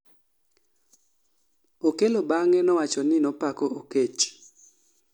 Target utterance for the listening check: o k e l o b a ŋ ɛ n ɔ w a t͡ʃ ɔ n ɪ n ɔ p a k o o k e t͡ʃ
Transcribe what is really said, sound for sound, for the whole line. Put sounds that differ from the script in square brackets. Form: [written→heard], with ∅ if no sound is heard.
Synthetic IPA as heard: o k e l o b a ŋ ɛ n ɔ w a t͡ʃ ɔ n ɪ n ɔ p a k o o k e t͡ʃ